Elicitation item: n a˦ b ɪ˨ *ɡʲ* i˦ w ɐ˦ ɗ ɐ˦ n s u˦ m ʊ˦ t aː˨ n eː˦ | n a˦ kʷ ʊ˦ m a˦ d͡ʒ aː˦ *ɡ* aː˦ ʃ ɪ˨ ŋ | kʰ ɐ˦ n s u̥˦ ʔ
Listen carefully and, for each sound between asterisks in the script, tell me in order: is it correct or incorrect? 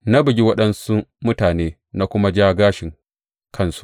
correct, correct

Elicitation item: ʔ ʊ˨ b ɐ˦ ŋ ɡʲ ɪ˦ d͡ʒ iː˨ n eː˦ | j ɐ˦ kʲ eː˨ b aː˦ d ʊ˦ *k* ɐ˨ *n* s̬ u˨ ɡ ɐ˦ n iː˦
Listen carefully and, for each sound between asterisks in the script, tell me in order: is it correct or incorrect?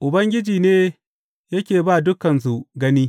correct, correct

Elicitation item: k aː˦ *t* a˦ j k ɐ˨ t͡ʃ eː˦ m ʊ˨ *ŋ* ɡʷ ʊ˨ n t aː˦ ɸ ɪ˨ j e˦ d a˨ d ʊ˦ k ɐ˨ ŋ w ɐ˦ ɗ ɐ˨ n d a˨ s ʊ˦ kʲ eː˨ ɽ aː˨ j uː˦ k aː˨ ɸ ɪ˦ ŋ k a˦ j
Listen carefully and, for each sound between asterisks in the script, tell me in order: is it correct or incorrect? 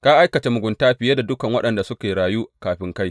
incorrect: ʔ, incorrect: none

